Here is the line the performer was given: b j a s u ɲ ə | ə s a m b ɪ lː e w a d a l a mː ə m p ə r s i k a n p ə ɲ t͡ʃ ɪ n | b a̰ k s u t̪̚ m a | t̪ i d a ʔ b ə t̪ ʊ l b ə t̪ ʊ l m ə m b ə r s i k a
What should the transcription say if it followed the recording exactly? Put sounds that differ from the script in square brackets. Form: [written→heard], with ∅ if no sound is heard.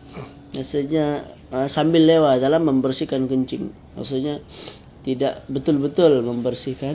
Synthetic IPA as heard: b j a s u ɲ [ə→a] | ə s a m b ɪ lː e w a d a l a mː ə m [p→b] ə r s i k a n [p→k] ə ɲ t͡ʃ ɪ [n→ŋ] | [b→m] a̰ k s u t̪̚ [m→ɲ] a | t̪ i d a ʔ b ə t̪ ʊ l b ə t̪ ʊ l m ə m b ə r s i k a